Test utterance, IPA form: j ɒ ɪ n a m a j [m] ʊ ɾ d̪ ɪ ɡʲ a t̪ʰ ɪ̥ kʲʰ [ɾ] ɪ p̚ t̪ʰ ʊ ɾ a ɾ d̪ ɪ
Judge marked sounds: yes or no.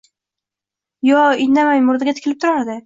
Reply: yes, no

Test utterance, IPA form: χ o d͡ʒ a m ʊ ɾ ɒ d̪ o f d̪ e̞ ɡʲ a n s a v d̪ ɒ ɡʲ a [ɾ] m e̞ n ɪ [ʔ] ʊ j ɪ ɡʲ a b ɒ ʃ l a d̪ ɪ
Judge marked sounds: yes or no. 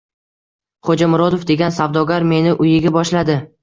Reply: yes, yes

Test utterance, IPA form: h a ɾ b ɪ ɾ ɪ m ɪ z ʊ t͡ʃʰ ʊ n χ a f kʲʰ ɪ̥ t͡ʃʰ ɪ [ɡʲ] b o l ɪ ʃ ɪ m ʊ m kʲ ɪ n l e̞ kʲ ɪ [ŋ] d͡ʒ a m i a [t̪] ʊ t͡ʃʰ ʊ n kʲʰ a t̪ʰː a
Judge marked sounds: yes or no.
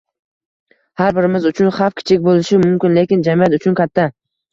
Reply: no, no, yes

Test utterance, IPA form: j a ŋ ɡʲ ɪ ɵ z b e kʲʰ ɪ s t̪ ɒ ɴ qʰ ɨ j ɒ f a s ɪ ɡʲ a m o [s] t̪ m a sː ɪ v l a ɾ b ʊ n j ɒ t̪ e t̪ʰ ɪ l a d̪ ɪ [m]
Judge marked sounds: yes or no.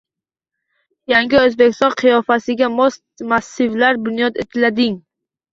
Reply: yes, no

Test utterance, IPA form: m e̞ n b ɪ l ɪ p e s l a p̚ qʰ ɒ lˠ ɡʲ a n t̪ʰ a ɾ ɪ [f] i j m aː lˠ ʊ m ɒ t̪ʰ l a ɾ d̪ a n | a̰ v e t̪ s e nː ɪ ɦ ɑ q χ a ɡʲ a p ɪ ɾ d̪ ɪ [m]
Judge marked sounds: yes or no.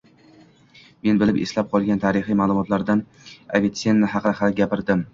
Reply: no, yes

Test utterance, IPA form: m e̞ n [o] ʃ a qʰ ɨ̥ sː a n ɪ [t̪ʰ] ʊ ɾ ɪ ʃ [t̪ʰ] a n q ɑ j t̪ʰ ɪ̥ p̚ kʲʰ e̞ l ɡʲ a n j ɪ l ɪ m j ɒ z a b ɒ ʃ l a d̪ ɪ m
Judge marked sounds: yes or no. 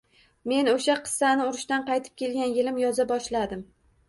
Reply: yes, no, no

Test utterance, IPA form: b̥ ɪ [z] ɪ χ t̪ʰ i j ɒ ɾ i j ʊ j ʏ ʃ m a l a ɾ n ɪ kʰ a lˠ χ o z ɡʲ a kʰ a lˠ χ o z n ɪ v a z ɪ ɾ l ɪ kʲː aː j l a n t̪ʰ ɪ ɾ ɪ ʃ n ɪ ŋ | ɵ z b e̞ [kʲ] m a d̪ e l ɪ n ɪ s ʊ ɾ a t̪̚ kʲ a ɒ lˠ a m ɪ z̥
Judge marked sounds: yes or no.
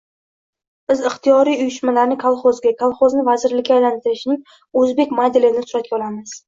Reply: yes, yes

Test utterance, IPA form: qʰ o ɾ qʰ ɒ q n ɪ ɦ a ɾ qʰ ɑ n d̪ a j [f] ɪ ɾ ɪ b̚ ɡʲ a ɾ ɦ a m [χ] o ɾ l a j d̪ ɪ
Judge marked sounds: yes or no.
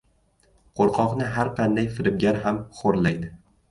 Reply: yes, yes

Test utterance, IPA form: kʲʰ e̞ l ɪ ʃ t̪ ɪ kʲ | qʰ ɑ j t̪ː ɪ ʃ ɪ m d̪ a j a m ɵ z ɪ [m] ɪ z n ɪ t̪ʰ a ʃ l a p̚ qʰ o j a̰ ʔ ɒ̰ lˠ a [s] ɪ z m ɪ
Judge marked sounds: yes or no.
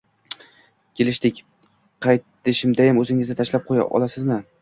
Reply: no, yes

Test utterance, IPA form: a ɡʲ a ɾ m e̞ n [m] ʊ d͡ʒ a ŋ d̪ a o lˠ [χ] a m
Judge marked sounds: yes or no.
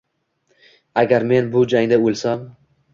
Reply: no, no

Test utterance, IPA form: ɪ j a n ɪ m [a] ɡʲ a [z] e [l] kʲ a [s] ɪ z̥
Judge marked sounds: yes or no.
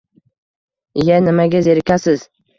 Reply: yes, yes, no, yes

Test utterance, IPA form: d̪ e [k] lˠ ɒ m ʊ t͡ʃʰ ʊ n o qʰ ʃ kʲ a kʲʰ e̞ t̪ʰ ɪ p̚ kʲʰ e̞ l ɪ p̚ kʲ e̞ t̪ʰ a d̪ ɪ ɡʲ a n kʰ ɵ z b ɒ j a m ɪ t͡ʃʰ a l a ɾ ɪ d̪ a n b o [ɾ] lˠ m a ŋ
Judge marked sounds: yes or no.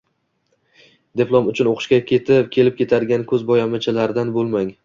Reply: no, no

